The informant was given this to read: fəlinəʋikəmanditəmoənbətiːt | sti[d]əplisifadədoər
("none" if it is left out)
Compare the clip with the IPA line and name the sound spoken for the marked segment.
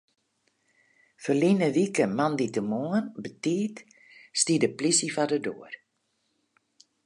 d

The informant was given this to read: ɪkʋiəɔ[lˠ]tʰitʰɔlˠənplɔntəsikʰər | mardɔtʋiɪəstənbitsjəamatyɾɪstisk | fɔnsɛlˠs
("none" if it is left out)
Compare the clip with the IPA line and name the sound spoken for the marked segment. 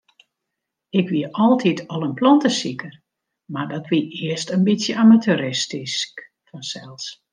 lˠ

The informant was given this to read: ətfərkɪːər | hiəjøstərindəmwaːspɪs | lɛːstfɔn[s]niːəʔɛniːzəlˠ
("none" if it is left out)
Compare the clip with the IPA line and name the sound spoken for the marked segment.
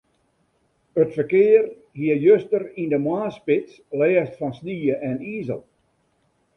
s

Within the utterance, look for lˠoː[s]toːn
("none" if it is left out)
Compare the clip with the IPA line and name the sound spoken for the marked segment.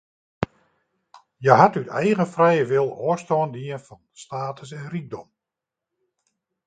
s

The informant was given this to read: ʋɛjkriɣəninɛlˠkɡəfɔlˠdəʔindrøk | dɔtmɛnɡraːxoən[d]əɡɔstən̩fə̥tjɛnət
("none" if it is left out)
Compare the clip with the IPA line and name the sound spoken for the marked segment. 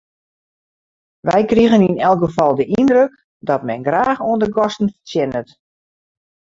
d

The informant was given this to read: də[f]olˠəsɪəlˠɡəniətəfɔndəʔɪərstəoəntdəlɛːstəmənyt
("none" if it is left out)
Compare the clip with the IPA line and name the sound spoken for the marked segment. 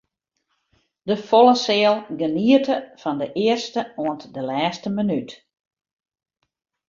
f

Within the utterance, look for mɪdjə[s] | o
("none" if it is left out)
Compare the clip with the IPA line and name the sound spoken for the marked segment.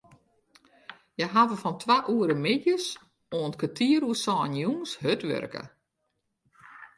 s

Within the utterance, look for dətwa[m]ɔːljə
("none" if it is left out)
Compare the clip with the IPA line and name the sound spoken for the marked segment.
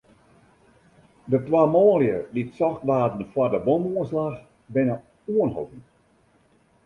m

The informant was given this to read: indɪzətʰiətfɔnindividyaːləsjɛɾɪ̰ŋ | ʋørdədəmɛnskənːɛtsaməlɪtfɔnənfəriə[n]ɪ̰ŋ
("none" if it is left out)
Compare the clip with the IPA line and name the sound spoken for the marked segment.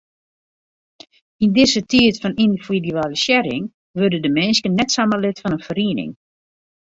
n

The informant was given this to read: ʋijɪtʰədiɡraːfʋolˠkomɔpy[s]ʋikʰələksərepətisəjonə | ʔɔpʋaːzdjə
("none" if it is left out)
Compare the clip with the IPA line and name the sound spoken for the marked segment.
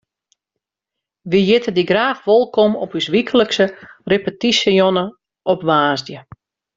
s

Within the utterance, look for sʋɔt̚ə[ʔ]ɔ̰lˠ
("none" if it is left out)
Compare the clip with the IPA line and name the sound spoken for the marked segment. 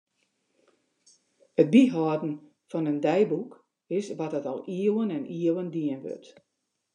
t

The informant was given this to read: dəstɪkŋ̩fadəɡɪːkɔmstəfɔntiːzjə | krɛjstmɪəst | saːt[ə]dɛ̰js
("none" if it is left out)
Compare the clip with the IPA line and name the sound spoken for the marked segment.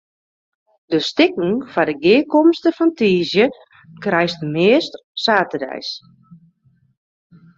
ə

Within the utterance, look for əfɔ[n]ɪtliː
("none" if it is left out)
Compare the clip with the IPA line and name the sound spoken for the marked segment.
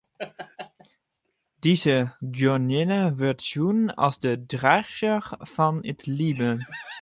n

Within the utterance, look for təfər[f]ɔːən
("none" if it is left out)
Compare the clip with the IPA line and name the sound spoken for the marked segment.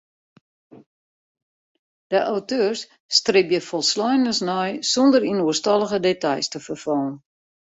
f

